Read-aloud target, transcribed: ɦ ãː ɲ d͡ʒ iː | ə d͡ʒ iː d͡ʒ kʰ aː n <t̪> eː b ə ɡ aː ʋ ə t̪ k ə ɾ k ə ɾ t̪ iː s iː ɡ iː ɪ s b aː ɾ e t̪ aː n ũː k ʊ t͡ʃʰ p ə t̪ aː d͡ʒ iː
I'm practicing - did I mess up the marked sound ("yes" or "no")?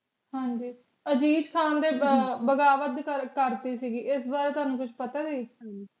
yes